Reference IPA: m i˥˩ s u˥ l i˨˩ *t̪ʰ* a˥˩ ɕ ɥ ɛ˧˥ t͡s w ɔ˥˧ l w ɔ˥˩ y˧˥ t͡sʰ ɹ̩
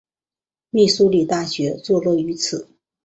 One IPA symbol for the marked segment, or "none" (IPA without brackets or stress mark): t̪